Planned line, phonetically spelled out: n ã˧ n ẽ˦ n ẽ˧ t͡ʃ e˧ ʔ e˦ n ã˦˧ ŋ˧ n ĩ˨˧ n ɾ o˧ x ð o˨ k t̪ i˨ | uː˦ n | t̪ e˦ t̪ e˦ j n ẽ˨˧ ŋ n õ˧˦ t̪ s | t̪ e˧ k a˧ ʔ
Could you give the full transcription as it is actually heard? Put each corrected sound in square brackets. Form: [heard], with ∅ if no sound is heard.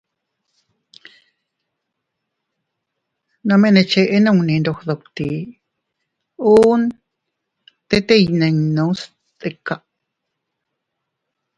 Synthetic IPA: n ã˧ [m] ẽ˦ n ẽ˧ t͡ʃ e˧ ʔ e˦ n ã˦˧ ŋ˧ n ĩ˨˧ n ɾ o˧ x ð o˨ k t̪ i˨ | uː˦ n | t̪ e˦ t̪ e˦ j n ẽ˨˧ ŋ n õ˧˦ [∅] s | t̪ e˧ k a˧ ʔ